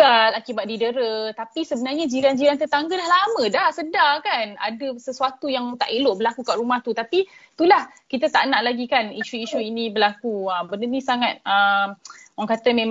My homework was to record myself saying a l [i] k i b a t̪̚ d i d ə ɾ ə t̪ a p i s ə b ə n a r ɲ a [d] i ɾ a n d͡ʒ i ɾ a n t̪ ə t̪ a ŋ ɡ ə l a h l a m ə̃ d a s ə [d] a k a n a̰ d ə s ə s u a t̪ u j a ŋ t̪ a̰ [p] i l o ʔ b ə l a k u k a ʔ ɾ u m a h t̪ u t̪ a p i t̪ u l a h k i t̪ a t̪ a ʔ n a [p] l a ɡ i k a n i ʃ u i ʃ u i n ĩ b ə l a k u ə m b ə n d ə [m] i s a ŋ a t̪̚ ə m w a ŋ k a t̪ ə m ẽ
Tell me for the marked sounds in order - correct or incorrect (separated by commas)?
incorrect, incorrect, correct, incorrect, incorrect, incorrect